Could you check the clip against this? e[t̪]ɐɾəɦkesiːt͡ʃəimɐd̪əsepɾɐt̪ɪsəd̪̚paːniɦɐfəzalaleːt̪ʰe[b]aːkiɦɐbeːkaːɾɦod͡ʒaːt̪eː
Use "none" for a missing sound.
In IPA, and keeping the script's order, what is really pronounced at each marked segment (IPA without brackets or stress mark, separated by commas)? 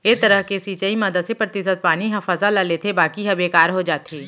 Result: t̪, b